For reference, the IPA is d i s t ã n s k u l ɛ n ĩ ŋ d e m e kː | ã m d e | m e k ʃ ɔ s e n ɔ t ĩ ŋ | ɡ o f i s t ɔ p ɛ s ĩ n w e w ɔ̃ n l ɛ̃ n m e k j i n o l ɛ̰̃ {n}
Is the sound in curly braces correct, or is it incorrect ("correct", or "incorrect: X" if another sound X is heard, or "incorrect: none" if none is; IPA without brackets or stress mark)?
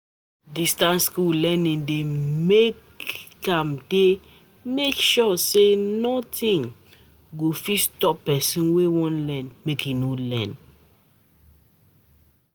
correct